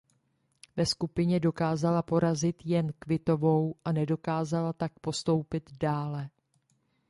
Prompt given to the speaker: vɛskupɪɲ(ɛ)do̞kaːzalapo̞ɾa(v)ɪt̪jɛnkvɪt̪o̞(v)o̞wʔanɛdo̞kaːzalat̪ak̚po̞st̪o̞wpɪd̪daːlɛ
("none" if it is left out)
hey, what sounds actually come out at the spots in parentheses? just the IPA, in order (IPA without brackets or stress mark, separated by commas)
ɛ, z, v